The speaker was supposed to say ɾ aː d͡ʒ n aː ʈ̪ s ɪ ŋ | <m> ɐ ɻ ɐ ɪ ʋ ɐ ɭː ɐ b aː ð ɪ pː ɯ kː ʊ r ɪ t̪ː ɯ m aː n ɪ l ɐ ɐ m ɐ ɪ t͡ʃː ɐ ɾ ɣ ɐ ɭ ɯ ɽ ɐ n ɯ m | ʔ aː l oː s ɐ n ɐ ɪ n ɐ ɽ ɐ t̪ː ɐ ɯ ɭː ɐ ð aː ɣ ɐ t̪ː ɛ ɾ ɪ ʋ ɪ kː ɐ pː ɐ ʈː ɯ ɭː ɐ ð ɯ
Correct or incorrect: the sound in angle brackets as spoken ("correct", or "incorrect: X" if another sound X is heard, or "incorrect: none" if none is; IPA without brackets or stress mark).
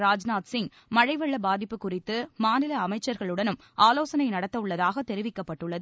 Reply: correct